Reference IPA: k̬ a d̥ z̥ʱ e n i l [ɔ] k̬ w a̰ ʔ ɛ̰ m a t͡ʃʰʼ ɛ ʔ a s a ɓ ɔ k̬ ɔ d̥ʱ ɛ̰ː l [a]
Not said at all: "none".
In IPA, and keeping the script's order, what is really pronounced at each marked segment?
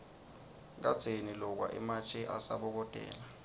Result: ɔ, a

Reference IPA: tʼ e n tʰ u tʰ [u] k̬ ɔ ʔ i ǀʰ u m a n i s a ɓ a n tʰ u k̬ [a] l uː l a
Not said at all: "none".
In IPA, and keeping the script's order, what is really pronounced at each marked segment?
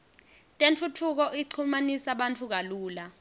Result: u, a

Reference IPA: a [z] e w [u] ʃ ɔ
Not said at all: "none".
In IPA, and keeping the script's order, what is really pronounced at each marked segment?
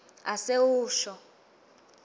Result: s, uː

